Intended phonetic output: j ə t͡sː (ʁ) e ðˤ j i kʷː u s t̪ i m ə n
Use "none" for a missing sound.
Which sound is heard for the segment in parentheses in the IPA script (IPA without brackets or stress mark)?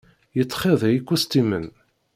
χ